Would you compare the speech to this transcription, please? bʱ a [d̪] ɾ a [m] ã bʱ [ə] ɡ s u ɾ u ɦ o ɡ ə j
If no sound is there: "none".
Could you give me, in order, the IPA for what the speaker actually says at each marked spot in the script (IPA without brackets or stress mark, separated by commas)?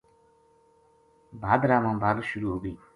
d̪, m, a